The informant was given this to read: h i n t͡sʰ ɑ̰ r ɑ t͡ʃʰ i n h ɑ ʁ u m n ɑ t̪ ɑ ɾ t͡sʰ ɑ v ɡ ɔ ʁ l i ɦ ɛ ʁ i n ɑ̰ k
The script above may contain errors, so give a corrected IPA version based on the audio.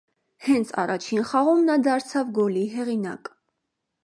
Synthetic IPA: h ɛ n t͡sʰ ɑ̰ r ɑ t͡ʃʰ i n χ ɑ ʁ u m n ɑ d̪ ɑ ɾ t͡sʰ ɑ v ɡ ɔ l i ɦ ɛ ʁ i n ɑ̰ k